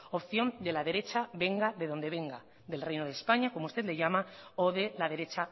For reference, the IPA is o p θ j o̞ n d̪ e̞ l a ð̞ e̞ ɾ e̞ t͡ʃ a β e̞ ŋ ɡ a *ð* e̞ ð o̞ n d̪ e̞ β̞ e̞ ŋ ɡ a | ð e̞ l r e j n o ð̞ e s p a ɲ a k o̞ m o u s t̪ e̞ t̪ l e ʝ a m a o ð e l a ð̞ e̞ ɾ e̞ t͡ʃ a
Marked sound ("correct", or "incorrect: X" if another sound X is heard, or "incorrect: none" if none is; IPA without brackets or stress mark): correct